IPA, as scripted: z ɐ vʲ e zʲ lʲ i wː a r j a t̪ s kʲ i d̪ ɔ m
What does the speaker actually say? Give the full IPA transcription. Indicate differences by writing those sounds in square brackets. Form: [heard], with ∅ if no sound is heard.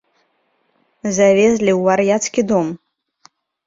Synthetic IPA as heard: z [a] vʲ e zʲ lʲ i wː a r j a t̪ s kʲ i d̪ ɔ m